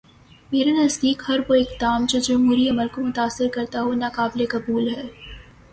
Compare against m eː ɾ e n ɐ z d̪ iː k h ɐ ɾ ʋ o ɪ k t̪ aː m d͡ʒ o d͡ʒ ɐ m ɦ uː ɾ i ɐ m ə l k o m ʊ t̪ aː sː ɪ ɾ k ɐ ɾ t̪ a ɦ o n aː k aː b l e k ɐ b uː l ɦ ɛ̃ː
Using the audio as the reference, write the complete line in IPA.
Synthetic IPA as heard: m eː ɾ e n ɐ z d̪ iː k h ɐ ɾ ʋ o ɪ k d̪ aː m d͡ʒ o d͡ʒ ɐ m ɦ uː ɾ i ɐ m ə l k o m ʊ t̪ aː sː ɪ ɾ k ɐ ɾ t̪ a ɦ o n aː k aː b l e k ɐ b uː l ɦ ɛː

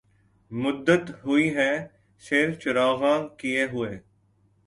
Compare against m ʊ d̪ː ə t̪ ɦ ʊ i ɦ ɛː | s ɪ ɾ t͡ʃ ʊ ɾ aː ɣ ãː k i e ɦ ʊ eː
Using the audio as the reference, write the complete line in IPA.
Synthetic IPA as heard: m ʊ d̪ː ə t̪ ɦ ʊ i ɦ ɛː | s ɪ ɾ t͡ʃ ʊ ɾ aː ɣ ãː k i e ɦ ʊ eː

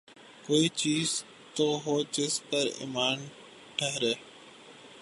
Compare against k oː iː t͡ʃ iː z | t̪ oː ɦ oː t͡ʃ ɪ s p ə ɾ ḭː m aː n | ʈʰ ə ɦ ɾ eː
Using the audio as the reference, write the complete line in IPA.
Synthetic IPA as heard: k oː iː t͡ʃ iː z | t̪ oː ɦ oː t͡ʃ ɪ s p ə ɾ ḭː m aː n | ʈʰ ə ɦ ɾ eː

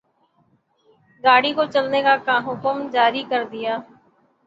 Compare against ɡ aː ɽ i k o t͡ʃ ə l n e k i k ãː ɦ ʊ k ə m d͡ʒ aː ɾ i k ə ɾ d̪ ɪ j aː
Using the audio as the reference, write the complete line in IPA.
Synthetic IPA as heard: ɡ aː ɽ i k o t͡ʃ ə l n e k a k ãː ɦ ʊ k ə m d͡ʒ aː ɾ i k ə ɾ d̪ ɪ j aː

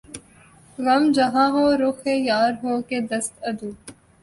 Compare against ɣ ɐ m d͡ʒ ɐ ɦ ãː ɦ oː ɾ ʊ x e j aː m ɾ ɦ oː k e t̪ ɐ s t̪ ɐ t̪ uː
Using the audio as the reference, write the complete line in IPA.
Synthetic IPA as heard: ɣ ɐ m d͡ʒ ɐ ɦ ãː ɦ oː ɾ ʊ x e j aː ɾ ɦ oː k e d̪ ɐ s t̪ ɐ d̪ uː

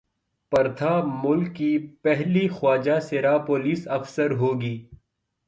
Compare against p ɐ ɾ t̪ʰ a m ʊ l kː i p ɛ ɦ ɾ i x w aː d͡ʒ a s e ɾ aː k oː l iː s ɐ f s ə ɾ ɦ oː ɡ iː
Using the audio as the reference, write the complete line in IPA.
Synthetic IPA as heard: p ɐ ɾ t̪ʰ a m ʊ l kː i p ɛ ɦ l i x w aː d͡ʒ a s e ɾ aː p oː l iː s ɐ f s ə ɾ ɦ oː ɡ iː

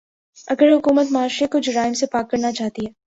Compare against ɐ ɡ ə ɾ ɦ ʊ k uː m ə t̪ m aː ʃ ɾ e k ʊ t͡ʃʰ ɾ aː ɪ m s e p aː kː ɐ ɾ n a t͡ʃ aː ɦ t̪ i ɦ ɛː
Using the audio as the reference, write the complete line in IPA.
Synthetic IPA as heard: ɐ ɡ ə ɾ ɦ ʊ k uː m ə t̪ m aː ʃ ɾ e k ʊ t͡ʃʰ ɾ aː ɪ m s e p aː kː ɐ ɾ n a t͡ʃ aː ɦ t̪ i ɦ ɛː

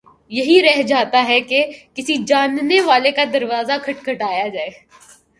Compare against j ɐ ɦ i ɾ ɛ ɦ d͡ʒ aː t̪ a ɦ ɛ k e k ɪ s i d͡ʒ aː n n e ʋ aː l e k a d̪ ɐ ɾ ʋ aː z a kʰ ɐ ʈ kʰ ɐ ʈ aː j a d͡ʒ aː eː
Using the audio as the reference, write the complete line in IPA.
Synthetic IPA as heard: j ɐ ɦ i ɾ ɛ ɦ d͡ʒ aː t̪ a ɦ ɛ k e k ɪ s i d͡ʒ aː n n e ʋ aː l e k a d̪ ɐ ɾ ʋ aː z a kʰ ɐ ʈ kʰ ɐ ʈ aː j a d͡ʒ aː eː

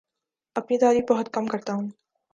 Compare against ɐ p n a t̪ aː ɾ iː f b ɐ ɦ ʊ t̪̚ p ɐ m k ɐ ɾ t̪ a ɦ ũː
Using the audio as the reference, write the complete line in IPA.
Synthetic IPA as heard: ɐ p n i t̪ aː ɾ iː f b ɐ ɦ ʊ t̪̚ k ɐ m k ɐ ɾ t̪ a ɦ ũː

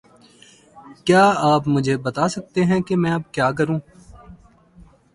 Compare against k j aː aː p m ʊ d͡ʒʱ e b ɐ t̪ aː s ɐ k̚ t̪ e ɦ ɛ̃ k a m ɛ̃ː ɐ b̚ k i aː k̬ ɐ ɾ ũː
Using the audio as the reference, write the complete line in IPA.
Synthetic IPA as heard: k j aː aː p m ʊ d͡ʒʱ e b ɐ t̪ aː s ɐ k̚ t̪ e ɦ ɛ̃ k e m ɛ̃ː ɐ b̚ k j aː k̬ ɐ ɾ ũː

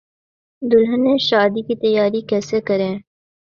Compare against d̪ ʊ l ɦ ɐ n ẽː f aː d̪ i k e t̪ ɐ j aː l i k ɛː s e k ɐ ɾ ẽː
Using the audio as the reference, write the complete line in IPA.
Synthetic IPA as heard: d̪ ʊ l ɦ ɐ n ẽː ʃ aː d̪ i k i t̪ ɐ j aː ɾ i k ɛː s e k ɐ ɾ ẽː

